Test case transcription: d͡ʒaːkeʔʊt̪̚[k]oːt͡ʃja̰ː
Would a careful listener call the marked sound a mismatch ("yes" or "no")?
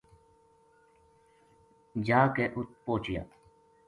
yes